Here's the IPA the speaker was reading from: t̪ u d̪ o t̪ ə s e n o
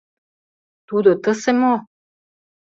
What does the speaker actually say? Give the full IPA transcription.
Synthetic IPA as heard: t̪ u d̪ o t̪ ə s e m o